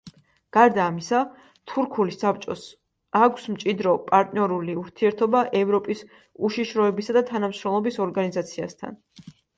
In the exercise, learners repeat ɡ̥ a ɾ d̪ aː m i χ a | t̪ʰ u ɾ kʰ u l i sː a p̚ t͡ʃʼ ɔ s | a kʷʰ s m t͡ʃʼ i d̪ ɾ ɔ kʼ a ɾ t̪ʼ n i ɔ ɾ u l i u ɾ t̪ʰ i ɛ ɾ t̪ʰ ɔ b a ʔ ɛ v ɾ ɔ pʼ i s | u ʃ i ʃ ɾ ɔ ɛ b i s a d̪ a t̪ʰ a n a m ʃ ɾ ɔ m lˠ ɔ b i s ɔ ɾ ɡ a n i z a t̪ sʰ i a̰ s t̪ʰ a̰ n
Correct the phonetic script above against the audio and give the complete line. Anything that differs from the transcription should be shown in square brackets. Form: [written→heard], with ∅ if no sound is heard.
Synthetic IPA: ɡ̥ a ɾ d̪ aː m i [χ→s] a | t̪ʰ u ɾ kʰ u l i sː a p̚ t͡ʃʼ ɔ s | a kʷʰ s m t͡ʃʼ i d̪ ɾ ɔ [kʼ→pʼ] a ɾ t̪ʼ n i ɔ ɾ u l i u ɾ t̪ʰ i ɛ ɾ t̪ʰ ɔ b a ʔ ɛ v ɾ ɔ pʼ i s | u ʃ i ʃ ɾ ɔ ɛ b i s a d̪ a t̪ʰ a n a m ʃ ɾ ɔ m lˠ ɔ b i s ɔ ɾ ɡ a n i z a t̪ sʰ i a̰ s t̪ʰ a̰ n

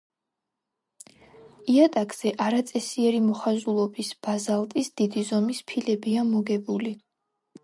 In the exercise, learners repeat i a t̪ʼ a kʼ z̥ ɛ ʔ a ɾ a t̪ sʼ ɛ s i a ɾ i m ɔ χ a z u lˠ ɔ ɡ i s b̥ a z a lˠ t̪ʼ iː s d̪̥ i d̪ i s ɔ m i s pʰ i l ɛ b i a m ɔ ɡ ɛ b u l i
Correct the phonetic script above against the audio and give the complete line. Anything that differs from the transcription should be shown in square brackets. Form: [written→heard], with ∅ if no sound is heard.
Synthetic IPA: i a t̪ʼ a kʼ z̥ ɛ ʔ a ɾ a t̪ sʼ ɛ s i [a→ɛ] ɾ i m ɔ χ a z u lˠ ɔ [ɡ→b] i s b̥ a z a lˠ t̪ʼ [iː→i] s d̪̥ i d̪ i [s→z] ɔ m i s pʰ i l ɛ b i a m ɔ ɡ ɛ b u l i

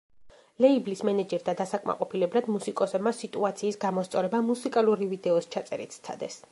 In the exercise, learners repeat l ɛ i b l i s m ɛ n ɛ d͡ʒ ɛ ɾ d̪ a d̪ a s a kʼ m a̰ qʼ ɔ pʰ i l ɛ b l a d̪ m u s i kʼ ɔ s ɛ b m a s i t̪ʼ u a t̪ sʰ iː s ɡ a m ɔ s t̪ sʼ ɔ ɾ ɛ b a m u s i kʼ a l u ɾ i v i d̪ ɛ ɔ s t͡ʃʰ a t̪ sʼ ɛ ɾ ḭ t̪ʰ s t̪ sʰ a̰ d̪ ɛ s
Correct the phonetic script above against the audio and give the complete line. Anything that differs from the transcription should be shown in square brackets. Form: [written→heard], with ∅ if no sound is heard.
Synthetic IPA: l ɛ i b l i s m ɛ n ɛ d͡ʒ ɛ ɾ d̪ a d̪ a s a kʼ m a̰ qʼ ɔ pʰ i l ɛ b l a d̪ m u s i kʼ ɔ s ɛ b m a s i t̪ʼ u a t̪ sʰ iː s ɡ a m ɔ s t̪ sʼ ɔ ɾ ɛ b a m u s i kʼ a l u ɾ i v i d̪ ɛ ɔ s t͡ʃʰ a t̪ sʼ ɛ ɾ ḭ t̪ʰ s t̪ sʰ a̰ d̪ ɛ s

